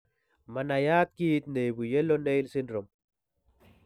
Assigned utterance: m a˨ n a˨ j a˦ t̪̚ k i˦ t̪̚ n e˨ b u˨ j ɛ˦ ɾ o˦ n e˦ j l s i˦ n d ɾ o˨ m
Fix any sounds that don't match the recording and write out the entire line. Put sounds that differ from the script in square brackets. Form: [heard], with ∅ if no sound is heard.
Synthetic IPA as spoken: m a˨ n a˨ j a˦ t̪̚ k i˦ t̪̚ n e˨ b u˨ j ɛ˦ [l] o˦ n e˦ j l s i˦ n d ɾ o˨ m